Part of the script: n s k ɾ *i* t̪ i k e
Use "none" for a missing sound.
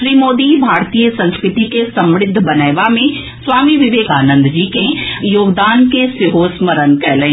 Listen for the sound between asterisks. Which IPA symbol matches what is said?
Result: ɪ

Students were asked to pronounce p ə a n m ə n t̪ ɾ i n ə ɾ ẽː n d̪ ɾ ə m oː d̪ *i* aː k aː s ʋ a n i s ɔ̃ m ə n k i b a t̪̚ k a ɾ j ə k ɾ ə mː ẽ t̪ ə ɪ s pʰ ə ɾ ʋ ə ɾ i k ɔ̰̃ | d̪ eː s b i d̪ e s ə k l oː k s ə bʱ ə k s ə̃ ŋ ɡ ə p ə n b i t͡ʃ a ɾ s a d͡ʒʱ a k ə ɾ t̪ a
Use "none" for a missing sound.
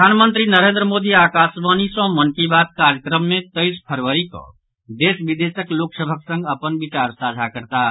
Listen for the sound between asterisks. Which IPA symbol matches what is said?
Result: i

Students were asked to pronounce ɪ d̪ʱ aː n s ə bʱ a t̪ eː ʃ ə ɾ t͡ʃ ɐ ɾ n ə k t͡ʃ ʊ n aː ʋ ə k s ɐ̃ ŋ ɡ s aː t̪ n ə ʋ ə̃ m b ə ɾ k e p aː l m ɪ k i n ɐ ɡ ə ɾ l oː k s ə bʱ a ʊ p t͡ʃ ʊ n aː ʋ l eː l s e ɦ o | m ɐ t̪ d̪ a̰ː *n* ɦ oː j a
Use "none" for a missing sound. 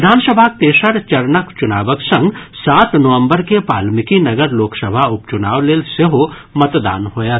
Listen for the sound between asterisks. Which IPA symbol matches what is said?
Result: n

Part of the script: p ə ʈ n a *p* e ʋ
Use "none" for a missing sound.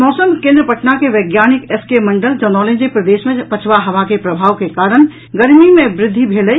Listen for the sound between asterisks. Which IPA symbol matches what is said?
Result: k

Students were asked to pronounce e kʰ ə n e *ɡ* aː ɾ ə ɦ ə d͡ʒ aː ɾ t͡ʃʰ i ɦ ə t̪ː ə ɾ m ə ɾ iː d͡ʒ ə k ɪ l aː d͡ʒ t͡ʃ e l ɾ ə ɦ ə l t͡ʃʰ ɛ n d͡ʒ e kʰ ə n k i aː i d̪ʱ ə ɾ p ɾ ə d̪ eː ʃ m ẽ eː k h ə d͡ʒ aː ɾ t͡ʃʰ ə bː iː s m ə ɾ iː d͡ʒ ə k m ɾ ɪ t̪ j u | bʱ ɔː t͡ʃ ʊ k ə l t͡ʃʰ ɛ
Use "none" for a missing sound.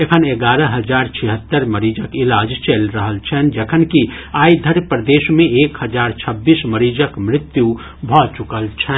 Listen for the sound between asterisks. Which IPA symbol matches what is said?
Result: ɡ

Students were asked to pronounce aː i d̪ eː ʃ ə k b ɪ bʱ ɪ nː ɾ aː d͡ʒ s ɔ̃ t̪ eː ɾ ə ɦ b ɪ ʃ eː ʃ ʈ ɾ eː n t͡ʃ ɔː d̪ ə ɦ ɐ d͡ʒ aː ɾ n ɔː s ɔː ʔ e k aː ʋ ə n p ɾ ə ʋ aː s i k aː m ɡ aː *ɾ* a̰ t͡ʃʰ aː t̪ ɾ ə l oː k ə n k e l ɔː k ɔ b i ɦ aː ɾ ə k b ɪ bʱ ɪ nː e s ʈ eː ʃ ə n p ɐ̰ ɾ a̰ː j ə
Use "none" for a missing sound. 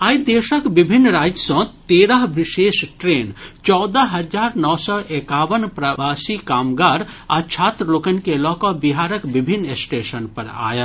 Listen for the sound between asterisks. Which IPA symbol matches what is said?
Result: ɾ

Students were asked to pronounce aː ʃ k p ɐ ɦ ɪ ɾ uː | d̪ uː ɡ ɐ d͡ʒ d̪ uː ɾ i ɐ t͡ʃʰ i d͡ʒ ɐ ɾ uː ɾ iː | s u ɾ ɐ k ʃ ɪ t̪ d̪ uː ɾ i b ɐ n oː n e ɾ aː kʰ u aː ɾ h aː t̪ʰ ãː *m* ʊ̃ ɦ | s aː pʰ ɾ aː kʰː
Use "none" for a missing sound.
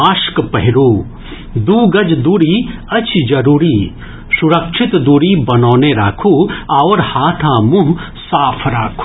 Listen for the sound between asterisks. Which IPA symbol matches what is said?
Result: m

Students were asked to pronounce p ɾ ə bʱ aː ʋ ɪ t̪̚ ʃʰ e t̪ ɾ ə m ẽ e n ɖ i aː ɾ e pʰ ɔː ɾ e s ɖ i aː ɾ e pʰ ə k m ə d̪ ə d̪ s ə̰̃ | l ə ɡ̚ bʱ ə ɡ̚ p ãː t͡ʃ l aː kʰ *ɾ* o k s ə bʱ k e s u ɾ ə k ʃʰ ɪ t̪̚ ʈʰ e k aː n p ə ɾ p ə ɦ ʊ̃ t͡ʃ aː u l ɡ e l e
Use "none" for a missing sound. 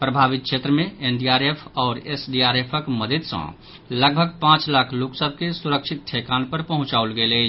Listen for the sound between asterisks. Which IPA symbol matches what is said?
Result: l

